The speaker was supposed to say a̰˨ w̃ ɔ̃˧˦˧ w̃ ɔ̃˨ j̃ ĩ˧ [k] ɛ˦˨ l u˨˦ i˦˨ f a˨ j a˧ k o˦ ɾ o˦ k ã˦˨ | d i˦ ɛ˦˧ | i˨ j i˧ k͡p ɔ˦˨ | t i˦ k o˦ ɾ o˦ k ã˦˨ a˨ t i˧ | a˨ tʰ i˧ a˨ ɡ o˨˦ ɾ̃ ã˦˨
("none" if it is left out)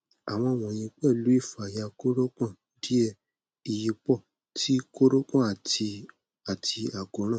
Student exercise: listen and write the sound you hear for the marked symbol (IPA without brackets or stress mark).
k͡p